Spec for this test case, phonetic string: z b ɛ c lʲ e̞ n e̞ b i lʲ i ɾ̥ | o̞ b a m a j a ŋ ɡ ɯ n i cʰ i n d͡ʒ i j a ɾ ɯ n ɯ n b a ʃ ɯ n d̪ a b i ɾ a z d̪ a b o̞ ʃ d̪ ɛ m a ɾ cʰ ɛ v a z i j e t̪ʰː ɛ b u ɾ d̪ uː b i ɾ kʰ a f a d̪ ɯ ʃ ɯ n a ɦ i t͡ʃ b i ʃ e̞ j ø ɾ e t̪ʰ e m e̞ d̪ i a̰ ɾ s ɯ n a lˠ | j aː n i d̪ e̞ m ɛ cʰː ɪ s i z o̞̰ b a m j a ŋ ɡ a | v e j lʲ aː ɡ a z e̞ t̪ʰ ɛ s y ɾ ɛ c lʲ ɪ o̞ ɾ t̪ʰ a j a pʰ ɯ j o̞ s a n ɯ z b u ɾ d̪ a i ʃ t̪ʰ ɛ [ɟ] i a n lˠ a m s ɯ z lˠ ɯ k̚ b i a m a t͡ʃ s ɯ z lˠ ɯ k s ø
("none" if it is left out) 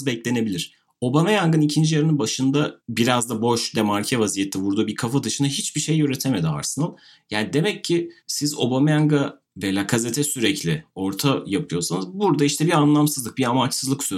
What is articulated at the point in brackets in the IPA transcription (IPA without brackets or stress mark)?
b